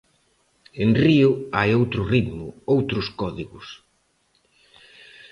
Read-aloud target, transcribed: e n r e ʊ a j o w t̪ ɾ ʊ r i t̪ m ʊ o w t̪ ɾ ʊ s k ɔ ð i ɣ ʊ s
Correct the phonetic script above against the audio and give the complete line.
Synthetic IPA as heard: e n r i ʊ a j o w t̪ ɾ ʊ r i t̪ m ʊ o w t̪ ɾ ʊ s k ɔ ð i ɣ ʊ s